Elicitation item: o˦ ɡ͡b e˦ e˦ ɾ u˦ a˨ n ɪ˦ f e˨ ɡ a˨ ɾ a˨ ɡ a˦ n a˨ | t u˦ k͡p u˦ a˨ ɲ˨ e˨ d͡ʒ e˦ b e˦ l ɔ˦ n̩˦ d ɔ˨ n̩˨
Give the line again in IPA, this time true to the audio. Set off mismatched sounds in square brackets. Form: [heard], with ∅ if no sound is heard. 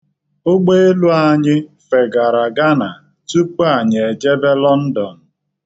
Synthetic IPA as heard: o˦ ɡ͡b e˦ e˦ [l] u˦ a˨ [ɲ] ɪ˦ f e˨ ɡ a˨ ɾ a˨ ɡ a˦ n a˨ | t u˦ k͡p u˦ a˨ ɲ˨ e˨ d͡ʒ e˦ b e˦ l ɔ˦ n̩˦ d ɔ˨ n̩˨

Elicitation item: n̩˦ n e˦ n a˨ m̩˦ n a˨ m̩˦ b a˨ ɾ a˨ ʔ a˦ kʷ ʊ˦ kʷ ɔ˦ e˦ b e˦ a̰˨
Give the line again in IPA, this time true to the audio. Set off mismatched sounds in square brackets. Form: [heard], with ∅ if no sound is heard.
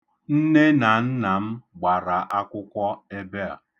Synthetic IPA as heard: n̩˦ n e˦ n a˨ [n̩˦] n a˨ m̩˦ [ɡ͡b] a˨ ɾ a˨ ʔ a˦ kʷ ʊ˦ kʷ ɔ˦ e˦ b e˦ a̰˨

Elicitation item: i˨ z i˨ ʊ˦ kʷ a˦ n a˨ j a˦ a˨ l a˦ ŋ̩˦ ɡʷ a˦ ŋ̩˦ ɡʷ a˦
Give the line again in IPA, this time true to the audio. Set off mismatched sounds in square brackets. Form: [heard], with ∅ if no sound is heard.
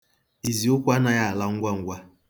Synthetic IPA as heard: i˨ z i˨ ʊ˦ kʷ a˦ n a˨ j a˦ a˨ l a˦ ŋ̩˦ ɡʷ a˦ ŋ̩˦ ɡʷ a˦

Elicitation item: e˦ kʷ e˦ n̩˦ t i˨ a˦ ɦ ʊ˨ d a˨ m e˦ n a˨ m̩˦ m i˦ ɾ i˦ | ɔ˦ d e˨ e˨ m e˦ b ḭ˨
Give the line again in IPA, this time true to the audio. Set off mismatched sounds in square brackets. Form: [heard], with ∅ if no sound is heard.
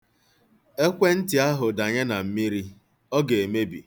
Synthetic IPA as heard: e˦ kʷ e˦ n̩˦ t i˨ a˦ ɦ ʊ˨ d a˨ [ɲ] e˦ n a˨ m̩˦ m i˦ ɾ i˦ | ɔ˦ [ɡ] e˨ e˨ m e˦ b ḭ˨

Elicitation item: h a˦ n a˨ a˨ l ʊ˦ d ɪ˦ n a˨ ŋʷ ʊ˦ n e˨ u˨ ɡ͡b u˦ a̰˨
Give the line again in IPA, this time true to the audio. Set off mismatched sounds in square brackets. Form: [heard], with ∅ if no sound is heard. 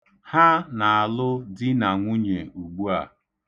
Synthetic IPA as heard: h a˦ n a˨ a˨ l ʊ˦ d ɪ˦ n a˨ ŋʷ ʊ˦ [ɲ] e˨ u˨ ɡ͡b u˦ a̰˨

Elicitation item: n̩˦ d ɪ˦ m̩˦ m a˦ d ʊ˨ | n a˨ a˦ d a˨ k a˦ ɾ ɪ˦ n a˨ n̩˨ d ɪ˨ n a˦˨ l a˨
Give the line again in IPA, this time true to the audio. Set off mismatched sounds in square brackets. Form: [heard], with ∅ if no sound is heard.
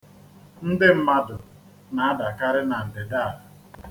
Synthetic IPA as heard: n̩˦ d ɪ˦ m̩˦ m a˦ d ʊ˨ | n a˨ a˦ d a˨ k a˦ ɾ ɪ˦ n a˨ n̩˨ d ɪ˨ [d] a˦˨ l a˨

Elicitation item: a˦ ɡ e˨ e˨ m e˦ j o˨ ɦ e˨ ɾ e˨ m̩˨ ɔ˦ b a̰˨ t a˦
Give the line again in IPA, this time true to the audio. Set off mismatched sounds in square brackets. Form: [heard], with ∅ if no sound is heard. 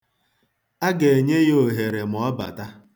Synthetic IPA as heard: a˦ ɡ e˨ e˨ [ɲ] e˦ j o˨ ɦ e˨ ɾ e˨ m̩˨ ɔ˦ b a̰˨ t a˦

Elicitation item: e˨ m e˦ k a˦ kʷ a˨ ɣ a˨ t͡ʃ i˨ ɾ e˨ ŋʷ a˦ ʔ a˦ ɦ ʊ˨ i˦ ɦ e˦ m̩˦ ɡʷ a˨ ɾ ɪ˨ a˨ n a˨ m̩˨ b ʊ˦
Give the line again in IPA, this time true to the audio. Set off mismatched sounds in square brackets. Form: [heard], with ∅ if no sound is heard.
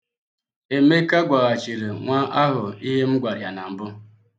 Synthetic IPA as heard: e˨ m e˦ k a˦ [ɡʷ] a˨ ɣ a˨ t͡ʃ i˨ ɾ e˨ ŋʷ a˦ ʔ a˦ ɦ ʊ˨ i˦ ɦ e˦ m̩˦ ɡʷ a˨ ɾ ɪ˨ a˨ n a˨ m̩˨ b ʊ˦

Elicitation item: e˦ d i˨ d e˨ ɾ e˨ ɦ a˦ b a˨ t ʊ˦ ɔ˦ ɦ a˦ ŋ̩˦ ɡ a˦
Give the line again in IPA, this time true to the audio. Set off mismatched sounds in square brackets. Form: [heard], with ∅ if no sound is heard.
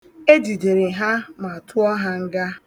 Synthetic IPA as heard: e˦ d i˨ d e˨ ɾ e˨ ɦ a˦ [m] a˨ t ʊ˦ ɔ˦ ɦ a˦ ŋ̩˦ ɡ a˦

